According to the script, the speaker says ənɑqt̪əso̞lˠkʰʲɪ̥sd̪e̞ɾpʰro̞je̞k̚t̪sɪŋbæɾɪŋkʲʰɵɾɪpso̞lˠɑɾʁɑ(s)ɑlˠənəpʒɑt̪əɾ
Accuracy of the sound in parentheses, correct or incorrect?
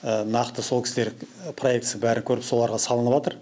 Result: correct